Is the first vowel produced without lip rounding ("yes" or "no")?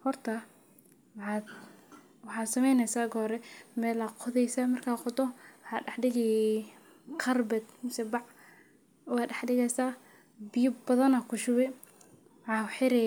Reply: no